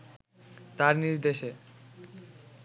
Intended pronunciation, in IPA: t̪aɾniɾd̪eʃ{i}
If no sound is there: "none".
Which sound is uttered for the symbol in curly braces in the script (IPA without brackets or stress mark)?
e